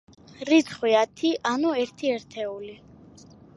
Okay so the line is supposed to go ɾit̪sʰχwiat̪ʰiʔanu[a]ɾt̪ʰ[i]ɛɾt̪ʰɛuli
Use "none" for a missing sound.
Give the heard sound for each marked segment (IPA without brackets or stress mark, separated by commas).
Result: ɛ, i